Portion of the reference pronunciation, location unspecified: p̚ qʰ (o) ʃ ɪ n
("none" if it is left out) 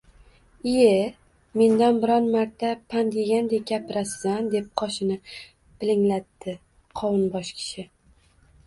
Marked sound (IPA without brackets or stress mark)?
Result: ɒ